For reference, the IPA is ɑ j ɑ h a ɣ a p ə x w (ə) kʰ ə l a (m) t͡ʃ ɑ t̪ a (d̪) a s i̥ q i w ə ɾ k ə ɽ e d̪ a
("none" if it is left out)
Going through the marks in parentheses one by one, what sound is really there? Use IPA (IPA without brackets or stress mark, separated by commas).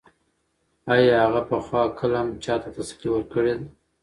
ɑ, m, t̪